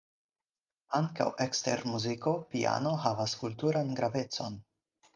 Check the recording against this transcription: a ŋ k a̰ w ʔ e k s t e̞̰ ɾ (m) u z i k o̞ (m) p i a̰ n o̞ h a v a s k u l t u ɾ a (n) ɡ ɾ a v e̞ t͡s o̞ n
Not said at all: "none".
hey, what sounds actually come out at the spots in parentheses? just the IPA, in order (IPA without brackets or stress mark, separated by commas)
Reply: m, none, n